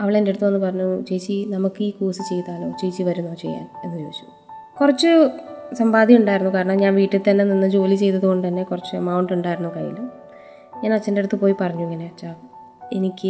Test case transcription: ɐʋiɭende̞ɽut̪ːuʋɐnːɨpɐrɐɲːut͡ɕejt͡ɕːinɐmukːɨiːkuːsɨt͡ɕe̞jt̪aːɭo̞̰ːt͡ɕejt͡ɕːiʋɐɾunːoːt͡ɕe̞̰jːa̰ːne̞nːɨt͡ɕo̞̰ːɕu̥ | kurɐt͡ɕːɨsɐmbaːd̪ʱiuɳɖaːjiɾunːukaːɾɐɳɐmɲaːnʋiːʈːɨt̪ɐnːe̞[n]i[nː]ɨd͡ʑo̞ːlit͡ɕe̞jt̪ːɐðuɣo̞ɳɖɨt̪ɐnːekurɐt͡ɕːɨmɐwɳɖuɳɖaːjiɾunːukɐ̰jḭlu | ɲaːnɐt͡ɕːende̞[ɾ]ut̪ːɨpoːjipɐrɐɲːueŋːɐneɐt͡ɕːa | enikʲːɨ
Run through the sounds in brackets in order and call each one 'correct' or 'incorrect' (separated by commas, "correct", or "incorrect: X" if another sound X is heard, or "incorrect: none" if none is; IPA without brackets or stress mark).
correct, correct, incorrect: ɽ